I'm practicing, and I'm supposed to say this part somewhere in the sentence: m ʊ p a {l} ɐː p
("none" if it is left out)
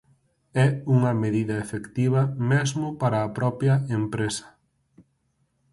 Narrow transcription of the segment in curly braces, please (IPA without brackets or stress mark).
ɾ